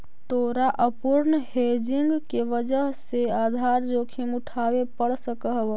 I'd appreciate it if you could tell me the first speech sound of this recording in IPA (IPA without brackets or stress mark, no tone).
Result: t̪